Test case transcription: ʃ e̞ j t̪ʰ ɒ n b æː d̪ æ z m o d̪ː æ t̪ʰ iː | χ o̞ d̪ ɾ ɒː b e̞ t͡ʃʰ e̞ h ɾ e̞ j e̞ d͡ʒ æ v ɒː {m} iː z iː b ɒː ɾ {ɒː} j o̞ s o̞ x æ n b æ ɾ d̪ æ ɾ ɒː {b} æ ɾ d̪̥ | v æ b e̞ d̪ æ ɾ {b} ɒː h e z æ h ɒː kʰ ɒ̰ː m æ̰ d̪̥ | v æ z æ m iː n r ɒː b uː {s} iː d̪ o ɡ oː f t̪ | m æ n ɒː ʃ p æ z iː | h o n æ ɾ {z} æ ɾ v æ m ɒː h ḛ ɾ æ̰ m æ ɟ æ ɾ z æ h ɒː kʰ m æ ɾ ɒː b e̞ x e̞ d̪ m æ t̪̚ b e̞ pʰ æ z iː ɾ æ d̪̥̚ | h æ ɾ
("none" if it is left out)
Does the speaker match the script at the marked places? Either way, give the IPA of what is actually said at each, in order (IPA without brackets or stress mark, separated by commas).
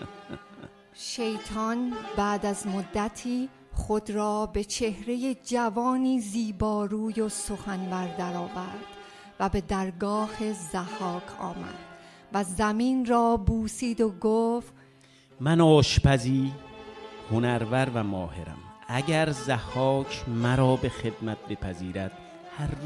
n, uː, v, ɡ, s, v